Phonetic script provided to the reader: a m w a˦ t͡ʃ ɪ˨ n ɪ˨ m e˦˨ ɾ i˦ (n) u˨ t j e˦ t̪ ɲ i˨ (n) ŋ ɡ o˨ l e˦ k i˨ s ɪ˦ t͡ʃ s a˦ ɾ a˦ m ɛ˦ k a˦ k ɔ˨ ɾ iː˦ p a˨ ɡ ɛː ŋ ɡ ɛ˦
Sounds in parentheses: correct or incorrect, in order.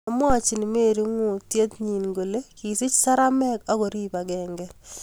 incorrect: ŋ, correct

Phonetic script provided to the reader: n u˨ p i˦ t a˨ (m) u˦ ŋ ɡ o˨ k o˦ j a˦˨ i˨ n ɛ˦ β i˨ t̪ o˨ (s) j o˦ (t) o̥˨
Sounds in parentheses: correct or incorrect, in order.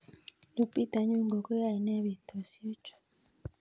incorrect: ɲ, correct, incorrect: t͡ʃ

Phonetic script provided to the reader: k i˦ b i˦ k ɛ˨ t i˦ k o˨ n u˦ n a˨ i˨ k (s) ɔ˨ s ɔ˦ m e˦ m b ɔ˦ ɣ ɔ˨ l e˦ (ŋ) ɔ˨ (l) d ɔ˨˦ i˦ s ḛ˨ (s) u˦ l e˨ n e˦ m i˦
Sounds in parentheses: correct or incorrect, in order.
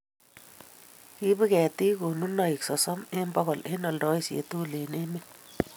correct, incorrect: n, correct, incorrect: t

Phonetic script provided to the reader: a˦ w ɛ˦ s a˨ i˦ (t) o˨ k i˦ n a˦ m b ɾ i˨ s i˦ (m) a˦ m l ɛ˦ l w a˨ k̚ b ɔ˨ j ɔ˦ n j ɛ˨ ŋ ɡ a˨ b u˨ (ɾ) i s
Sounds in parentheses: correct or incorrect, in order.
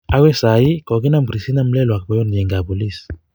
incorrect: k, incorrect: n, incorrect: l

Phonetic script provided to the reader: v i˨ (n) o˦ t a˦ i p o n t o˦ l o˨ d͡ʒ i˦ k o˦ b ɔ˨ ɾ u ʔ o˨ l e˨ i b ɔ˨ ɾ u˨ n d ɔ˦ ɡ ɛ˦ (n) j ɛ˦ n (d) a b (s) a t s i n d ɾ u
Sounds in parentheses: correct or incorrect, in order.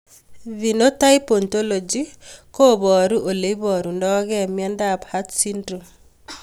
correct, incorrect: m, correct, incorrect: h

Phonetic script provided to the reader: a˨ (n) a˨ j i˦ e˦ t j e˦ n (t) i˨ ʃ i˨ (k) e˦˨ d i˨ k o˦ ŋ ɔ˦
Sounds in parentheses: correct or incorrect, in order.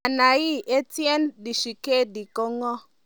correct, incorrect: d, correct

